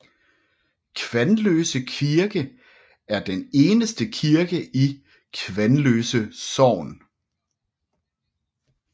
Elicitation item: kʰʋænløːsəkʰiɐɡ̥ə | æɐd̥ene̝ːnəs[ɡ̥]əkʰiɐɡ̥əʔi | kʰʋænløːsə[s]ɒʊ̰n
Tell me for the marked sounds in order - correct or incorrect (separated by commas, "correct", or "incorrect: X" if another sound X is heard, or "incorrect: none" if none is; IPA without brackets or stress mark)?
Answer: incorrect: d̥, correct